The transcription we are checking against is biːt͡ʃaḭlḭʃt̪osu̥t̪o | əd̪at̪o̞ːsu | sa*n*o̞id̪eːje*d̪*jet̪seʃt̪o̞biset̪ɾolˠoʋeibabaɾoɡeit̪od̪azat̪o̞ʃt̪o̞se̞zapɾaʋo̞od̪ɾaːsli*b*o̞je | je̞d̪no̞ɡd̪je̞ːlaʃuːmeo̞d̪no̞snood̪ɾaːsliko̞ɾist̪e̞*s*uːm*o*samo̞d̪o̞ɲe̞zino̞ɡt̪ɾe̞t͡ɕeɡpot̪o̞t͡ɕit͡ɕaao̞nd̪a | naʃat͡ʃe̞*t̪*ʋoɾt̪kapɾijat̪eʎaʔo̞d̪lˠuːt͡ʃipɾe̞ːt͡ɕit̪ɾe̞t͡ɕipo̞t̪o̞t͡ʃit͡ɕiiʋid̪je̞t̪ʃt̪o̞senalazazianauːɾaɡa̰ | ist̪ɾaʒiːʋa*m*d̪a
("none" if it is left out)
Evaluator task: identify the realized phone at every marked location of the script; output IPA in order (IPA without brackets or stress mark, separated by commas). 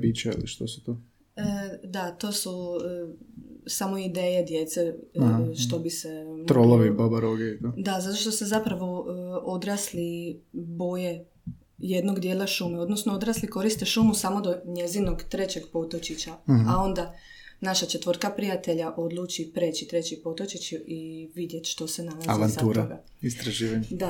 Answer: m, d̪, b, ʃ, u, t̪, ɲ